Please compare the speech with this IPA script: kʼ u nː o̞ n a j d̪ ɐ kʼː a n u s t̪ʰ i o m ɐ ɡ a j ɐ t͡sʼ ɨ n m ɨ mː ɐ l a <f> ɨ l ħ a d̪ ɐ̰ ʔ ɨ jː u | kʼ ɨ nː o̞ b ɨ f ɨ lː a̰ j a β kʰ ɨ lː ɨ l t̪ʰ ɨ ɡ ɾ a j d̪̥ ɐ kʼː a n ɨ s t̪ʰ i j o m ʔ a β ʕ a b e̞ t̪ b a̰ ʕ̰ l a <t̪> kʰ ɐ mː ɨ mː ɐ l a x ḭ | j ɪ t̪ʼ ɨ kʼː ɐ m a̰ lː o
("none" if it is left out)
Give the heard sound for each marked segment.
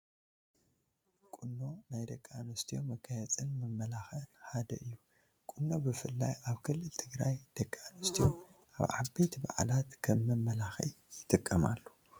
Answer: x, t̪

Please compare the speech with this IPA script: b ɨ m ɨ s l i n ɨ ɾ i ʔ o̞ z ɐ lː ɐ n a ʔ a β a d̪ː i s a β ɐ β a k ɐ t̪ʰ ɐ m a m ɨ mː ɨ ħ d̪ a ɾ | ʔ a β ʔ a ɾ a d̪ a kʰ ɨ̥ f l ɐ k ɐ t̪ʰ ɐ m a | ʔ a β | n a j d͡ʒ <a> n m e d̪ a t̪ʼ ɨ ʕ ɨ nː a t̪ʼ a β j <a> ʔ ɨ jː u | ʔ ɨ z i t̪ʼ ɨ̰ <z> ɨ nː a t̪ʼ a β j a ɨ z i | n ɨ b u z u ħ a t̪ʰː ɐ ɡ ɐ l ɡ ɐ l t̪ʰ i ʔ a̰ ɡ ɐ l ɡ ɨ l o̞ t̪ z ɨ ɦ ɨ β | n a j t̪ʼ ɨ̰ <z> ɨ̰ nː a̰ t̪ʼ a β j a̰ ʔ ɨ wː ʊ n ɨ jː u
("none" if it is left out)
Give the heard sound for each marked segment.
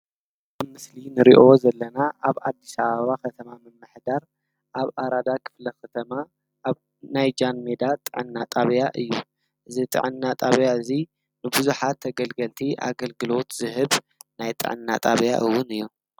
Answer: a, a, ʕ, ʕ

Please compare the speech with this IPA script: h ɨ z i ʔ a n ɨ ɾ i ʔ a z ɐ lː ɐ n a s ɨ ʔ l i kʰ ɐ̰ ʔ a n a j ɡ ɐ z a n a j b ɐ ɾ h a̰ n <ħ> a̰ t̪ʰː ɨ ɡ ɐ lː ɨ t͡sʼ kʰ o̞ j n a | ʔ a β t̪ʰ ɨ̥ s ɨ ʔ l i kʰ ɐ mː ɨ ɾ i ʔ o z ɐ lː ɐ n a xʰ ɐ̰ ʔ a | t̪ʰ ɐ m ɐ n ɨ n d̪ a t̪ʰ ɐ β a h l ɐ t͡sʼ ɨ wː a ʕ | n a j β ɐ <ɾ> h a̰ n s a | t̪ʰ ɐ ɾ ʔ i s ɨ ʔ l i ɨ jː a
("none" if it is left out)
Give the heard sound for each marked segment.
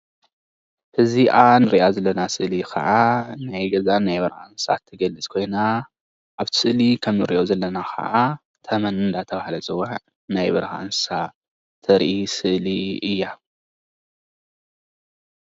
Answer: s, ɾ

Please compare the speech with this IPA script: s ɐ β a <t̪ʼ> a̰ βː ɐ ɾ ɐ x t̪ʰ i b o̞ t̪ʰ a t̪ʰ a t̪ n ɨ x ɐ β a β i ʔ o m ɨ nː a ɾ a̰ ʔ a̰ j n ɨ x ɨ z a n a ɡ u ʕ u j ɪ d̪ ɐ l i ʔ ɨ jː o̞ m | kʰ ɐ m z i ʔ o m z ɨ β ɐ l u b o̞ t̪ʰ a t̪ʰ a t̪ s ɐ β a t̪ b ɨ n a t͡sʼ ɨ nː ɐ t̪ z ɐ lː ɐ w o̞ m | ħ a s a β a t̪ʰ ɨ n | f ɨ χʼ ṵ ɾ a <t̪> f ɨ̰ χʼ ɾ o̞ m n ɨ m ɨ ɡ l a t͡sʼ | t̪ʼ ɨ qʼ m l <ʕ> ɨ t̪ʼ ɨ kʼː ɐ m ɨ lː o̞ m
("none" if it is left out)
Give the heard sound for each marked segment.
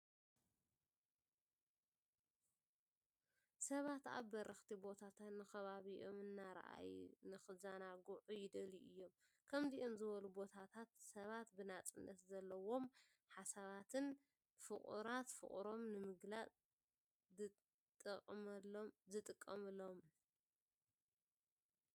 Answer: t̪, t̪, z

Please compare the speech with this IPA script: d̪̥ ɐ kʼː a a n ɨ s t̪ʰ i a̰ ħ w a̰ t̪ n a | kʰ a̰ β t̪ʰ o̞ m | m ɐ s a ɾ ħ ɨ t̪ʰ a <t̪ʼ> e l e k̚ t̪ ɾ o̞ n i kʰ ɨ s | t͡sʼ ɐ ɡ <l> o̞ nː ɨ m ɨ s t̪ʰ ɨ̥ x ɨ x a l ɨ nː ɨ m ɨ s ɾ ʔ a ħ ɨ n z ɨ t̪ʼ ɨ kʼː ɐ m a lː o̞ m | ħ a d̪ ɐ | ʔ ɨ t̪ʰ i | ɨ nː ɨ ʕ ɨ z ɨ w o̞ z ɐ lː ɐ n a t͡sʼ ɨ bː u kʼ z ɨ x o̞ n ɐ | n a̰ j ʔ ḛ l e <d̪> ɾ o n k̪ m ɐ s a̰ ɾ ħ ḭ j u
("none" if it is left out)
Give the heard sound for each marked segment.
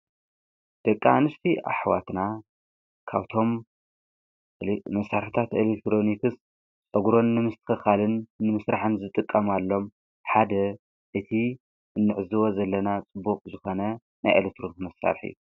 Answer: t̪, ɾ, t̪

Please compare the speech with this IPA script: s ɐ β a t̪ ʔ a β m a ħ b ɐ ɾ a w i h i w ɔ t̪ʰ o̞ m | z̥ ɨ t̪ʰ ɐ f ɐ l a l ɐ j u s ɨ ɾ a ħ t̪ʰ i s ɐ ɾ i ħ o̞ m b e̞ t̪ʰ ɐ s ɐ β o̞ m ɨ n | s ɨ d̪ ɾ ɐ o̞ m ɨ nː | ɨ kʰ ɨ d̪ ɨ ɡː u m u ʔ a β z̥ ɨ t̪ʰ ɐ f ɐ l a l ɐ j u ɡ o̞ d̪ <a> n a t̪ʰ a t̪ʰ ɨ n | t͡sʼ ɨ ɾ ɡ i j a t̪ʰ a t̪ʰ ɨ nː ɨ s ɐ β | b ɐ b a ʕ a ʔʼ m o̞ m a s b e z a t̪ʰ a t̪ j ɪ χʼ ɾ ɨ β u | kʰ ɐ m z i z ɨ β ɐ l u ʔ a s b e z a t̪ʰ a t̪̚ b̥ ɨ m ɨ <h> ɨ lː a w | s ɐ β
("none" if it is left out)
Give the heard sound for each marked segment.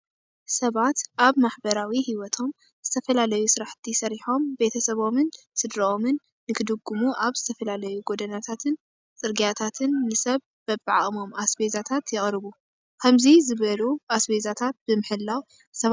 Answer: ɐ, ħ

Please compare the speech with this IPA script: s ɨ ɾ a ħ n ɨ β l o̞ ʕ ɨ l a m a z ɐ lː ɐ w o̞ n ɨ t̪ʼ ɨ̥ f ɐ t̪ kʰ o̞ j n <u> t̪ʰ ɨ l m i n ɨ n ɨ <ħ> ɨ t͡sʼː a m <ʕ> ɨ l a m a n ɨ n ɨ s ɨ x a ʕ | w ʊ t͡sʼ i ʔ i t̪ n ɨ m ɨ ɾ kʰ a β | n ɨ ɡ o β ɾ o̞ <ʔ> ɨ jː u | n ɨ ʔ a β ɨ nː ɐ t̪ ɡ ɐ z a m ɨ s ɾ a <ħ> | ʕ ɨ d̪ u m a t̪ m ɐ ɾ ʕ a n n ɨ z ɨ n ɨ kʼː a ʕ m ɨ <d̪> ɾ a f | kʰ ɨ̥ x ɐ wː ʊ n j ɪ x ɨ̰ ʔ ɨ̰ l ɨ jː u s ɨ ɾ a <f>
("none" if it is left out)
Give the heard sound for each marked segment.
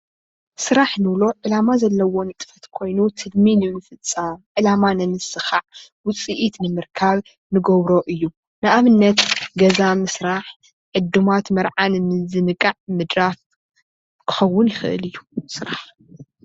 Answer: u, f, ʕ, ʔ, ħ, d̪, ħ

